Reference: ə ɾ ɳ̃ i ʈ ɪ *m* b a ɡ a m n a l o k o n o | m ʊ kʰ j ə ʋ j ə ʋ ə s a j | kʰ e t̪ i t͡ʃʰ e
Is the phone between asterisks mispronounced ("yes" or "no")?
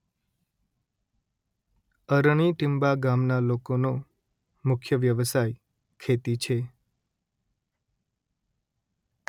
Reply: no